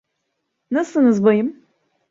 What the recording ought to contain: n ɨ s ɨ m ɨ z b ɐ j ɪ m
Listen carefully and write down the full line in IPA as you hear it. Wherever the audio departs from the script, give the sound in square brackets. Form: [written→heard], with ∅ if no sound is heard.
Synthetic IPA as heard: n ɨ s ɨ [m→n] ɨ z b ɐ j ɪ m